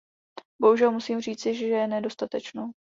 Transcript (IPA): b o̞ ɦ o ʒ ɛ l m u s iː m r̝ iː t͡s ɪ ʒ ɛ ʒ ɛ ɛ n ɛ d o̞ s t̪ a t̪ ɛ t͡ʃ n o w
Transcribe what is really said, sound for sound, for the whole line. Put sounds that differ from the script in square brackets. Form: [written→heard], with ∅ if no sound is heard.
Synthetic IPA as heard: b o̞ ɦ [o→u] ʒ ɛ l m u s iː m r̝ iː t͡s ɪ ʒ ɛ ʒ ɛ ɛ n ɛ d o̞ s t̪ a t̪ ɛ t͡ʃ n o w